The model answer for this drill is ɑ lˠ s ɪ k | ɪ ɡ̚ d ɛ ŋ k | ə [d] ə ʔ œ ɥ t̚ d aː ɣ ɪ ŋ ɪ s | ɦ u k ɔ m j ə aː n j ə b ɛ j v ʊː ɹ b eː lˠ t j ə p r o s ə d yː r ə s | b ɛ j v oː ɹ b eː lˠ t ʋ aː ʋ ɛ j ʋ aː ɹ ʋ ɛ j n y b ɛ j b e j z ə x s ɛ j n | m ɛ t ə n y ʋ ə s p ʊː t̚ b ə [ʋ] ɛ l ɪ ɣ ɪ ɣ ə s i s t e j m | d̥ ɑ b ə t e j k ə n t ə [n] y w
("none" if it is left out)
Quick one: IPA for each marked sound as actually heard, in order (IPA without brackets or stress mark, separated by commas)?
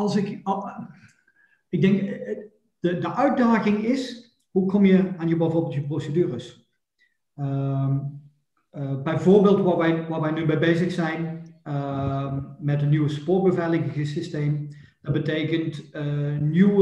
d, v, n